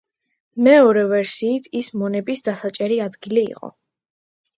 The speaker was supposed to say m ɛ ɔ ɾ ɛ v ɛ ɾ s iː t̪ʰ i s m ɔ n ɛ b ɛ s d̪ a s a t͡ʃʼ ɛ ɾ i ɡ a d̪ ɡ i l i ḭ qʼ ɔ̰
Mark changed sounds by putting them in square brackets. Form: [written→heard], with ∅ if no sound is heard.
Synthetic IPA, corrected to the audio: m ɛ ɔ ɾ ɛ v ɛ ɾ s iː t̪ʰ i s m ɔ n ɛ b [ɛ→i] s d̪ a s a t͡ʃʼ ɛ ɾ i [ɡ→∅] a d̪ ɡ i l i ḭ qʼ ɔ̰